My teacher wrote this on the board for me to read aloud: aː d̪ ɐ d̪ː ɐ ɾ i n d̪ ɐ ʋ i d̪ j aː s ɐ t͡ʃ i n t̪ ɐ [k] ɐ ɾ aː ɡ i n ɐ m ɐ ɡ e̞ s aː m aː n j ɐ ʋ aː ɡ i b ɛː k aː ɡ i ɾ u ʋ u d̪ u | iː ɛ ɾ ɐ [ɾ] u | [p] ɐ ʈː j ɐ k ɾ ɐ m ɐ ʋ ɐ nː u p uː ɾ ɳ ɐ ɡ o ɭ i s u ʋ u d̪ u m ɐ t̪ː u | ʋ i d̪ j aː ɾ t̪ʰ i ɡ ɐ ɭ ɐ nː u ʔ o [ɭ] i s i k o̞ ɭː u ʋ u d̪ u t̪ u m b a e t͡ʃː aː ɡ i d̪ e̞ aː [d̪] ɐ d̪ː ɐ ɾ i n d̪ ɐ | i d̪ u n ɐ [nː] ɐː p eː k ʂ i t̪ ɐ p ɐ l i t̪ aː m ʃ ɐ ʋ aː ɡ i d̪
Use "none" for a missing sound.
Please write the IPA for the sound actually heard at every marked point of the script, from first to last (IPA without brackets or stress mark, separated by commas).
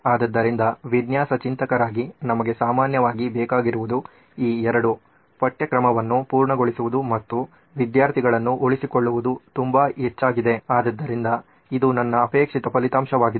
k, ɽ, p, ɭ, d̪, nː